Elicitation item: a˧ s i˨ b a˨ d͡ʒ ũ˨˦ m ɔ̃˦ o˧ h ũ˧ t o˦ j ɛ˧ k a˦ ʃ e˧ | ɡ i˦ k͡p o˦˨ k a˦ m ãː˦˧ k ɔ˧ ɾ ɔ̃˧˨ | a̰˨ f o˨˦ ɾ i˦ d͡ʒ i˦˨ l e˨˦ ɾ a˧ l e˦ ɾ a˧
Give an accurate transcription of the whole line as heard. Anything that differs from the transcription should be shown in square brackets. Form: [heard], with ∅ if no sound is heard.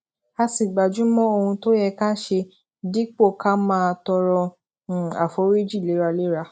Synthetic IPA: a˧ s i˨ [ɡ͡b] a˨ d͡ʒ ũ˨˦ m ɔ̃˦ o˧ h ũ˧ t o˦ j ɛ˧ k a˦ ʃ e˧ | [d] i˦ k͡p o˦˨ k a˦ m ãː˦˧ [t] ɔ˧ ɾ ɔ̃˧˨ | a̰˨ f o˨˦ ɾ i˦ d͡ʒ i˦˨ l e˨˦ ɾ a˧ l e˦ ɾ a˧